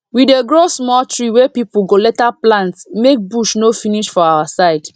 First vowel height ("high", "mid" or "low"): high